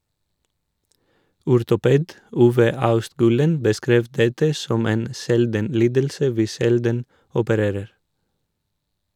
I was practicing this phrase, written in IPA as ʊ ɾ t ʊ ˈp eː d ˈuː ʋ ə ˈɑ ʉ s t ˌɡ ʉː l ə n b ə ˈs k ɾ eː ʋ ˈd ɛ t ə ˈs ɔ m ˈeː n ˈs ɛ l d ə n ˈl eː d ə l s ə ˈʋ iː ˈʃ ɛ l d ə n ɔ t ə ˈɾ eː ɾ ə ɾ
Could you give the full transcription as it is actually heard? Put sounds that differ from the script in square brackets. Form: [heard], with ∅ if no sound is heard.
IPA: ʊ ɾ t ʊ ˈp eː d ˈuː ʋ ə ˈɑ ʉ s t ˌɡ ʉː l ə n b ə ˈs k ɾ eː ʋ ˈd ɛ t ə ˈs ɔ m ˈeː n ˈs ɛ l d ə n ˈl [iː] d ə l s ə ˈʋ iː ˈʃ ɛ l d ə n ɔ [p] ə ˈɾ eː ɾ ə ɾ